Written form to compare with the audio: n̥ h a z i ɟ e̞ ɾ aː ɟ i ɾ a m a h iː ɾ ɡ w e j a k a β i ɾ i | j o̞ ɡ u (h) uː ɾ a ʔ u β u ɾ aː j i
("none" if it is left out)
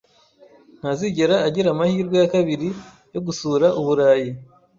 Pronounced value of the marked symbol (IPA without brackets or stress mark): s